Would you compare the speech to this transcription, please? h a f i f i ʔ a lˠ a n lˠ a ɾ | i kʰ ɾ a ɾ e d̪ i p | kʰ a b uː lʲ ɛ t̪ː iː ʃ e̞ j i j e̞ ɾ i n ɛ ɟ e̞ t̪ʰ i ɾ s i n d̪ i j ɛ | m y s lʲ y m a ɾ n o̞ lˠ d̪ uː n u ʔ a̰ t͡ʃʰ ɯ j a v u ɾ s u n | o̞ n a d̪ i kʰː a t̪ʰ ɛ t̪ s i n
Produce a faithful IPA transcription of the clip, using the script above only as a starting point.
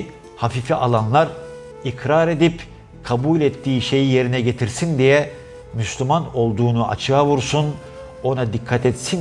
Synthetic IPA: h a f i f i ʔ a lˠ a n lˠ a ɾ | i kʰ ɾ a ɾ e d̪ i p | kʰ a b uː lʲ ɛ t̪ː iː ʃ e̞ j i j e̞ ɾ i n ɛ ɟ e̞ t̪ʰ i ɾ s i n d̪ i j ɛ | m y s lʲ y m a n o̞ lˠ d̪ uː n u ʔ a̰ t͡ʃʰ ɯ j a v u ɾ s u n | o̞ n a d̪ i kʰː a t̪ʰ ɛ t̪ s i n